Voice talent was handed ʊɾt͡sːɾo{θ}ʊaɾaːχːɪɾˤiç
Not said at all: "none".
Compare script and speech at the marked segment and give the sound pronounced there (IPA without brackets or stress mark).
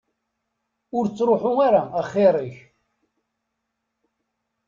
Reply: ħ